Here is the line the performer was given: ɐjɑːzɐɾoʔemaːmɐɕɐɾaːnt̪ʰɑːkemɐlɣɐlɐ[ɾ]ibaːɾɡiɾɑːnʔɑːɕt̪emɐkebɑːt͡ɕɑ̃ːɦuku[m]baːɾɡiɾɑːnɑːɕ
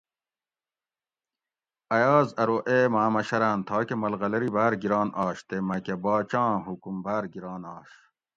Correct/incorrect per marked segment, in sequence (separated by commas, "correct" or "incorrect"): correct, correct